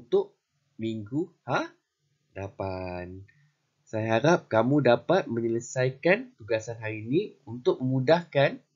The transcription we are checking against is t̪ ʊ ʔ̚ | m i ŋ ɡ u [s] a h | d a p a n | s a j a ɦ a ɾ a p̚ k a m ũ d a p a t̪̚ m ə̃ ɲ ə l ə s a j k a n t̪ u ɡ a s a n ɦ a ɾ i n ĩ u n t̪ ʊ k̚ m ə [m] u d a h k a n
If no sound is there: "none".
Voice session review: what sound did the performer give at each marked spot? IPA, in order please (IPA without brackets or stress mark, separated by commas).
h, m